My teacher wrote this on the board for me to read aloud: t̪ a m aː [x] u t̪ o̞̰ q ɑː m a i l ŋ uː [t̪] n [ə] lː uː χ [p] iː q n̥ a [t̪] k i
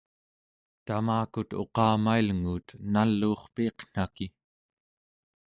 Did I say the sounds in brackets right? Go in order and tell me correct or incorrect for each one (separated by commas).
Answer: incorrect, correct, incorrect, correct, incorrect